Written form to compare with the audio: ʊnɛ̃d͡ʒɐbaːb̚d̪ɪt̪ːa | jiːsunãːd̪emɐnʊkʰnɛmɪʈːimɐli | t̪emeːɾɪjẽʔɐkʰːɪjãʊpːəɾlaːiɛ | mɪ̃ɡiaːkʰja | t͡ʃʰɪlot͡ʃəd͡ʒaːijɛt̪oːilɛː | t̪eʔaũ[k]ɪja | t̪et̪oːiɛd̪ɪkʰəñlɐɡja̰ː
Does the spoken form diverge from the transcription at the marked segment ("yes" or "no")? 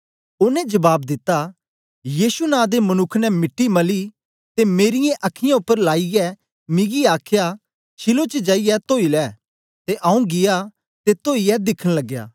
yes